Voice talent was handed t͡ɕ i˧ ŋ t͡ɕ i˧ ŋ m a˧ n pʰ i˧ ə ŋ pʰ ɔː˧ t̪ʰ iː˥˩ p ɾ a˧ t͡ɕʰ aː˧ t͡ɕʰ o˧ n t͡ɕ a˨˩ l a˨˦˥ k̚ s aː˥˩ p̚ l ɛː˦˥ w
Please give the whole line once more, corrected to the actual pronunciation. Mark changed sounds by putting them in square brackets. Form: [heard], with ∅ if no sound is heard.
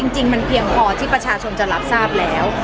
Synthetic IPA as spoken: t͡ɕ i˧ ŋ t͡ɕ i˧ ŋ m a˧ n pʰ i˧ ə ŋ pʰ ɔː˧ t̪ʰ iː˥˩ p ɾ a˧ t͡ɕʰ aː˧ t͡ɕʰ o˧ n t͡ɕ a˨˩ l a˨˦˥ [p̚] s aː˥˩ p̚ l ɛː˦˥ w